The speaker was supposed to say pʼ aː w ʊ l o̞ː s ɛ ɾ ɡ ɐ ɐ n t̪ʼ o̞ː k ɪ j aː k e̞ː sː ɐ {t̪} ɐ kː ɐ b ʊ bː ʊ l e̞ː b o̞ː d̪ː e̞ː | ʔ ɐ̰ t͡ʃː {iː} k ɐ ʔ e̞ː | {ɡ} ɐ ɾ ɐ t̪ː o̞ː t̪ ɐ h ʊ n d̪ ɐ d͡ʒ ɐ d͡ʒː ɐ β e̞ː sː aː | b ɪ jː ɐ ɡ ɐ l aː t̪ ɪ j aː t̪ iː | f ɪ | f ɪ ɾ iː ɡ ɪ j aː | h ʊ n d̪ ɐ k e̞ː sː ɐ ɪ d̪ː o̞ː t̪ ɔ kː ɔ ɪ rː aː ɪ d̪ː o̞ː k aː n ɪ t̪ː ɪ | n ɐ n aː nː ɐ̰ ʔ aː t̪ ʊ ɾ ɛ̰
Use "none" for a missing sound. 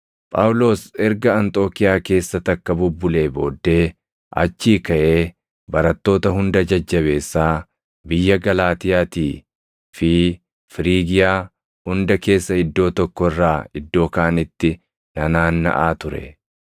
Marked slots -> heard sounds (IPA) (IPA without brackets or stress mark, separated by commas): t̪, iː, b